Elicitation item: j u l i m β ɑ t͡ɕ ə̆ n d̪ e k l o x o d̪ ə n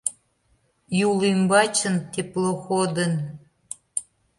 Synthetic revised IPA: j u l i m b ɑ t͡ɕ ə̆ n t̪ e p l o x o d̪ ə n